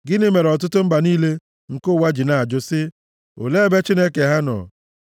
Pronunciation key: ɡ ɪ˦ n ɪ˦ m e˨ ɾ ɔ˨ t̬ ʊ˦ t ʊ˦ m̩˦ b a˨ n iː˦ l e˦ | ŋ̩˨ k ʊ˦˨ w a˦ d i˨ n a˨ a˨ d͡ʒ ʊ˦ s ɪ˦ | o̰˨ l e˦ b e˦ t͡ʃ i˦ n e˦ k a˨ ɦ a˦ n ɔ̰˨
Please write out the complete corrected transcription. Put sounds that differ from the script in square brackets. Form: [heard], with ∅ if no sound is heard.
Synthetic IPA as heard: ɡ ɪ˦ n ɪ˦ m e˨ ɾ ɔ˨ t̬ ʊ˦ t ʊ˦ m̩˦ b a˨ n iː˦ l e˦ | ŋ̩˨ k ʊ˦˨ w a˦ [d͡ʒ] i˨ n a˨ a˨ d͡ʒ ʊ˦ s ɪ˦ | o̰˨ l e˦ b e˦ t͡ʃ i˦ n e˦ k [e˨] ɦ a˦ n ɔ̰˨